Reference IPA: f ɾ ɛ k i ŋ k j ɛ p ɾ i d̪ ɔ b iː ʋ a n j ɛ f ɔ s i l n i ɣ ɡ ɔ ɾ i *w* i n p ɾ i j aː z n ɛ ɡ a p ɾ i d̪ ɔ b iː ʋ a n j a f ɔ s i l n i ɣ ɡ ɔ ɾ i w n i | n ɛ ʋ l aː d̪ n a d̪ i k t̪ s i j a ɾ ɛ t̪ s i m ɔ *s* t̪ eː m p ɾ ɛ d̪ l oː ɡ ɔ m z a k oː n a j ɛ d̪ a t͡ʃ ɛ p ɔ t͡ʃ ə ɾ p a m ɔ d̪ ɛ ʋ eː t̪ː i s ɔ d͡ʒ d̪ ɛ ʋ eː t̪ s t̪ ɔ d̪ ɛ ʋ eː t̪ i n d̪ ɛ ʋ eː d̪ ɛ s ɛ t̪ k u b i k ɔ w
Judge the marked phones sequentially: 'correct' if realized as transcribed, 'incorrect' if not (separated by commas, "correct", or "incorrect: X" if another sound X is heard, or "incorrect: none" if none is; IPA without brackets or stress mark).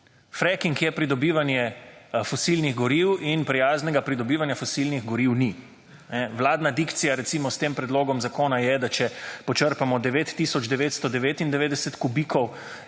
correct, correct